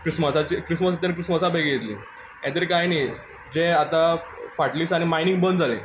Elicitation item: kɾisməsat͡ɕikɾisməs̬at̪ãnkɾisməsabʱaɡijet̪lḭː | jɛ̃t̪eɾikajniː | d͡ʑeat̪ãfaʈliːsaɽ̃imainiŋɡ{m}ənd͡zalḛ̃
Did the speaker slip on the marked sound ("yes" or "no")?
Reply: yes